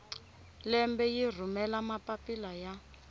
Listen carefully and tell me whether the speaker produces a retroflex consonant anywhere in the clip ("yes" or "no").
no